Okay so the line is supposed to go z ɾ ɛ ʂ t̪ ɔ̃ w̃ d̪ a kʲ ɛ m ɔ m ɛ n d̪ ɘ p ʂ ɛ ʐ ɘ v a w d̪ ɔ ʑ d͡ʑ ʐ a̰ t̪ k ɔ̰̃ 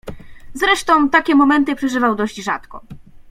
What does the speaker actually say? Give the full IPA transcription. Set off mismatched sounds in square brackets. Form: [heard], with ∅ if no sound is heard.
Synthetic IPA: z ɾ ɛ ʂ t̪ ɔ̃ w̃ [t̪] a kʲ ɛ m ɔ m ɛ n [t̪] ɘ p ʂ ɛ ʐ ɘ v a w d̪ ɔ ʑ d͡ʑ ʐ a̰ t̪ k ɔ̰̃